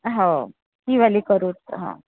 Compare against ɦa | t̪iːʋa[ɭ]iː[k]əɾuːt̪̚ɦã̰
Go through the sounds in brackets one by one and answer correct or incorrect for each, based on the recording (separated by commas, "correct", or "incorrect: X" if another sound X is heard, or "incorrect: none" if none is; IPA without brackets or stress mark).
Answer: incorrect: l, correct